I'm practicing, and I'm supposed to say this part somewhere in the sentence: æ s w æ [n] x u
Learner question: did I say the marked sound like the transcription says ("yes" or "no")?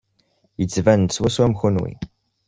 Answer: no